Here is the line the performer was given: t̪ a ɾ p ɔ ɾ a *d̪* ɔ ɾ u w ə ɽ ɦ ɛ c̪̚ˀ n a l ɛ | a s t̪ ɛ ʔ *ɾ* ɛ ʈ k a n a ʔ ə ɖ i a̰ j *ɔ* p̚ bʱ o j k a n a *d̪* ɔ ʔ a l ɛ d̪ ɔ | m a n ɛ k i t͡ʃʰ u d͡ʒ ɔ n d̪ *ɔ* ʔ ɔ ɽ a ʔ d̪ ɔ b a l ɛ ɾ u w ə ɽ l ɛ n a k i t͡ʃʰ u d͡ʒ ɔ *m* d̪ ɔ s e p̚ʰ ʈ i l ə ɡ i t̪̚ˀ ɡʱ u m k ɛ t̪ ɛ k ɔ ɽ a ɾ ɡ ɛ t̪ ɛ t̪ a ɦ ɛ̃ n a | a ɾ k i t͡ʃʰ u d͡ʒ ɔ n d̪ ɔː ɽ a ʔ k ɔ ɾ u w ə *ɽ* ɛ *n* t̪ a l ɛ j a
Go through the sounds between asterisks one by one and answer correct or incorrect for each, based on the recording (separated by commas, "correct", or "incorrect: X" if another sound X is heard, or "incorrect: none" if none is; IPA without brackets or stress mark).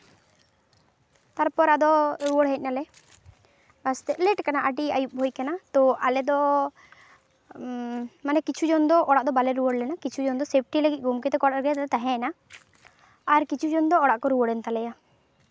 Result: correct, incorrect: l, incorrect: u, incorrect: t̪, correct, incorrect: n, correct, correct